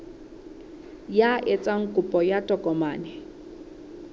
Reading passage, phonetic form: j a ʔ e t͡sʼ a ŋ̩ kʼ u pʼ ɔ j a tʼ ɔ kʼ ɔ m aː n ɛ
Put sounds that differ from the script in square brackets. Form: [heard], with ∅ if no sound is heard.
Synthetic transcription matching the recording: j a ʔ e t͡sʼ a ŋ̩ kʼ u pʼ ɔ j a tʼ ɔ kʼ ɔ m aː n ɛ